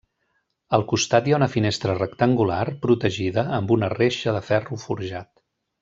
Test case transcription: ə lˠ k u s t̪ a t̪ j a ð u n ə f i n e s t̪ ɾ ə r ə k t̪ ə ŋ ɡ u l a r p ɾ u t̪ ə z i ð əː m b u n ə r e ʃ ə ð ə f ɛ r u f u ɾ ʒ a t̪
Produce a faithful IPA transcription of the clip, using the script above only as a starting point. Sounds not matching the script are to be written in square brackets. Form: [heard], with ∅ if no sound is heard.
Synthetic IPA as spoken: ə lˠ k u s t̪ a t̪ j a [∅] u n ə f i n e s t̪ ɾ ə r ə k t̪ ə ŋ ɡ u l a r p ɾ u t̪ ə [ʒ] i ð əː m b u n ə r e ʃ ə ð ə f ɛ r u f u ɾ ʒ a t̪